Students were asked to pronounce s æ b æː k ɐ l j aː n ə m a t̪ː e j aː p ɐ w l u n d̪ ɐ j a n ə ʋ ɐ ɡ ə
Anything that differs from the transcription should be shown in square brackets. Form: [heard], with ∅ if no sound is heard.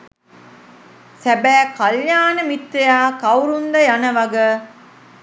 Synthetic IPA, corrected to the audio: s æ b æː k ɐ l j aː n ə m [i] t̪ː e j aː [k] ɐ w [ɾ] u n d̪ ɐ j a n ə ʋ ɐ ɡ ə